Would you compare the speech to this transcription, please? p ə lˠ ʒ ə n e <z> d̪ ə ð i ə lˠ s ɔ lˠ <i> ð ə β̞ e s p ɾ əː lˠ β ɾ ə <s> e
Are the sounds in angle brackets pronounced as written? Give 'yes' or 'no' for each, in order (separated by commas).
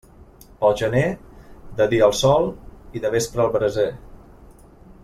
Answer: no, yes, no